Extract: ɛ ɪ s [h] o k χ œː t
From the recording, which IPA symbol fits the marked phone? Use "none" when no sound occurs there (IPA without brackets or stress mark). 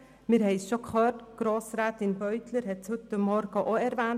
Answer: ʃ